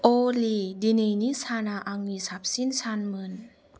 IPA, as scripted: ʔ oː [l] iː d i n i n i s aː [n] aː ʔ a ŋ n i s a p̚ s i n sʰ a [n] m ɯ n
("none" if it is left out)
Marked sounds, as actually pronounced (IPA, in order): l, n, n

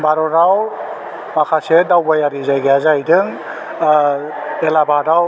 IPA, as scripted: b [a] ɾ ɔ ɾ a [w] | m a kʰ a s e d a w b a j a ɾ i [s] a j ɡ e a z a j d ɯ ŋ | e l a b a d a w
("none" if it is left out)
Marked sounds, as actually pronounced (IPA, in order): a, w, z

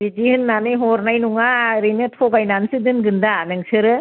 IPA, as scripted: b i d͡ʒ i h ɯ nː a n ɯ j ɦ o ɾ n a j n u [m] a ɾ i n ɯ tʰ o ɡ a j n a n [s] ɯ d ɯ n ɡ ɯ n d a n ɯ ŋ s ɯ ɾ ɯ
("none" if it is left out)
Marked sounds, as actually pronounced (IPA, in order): ŋ, s

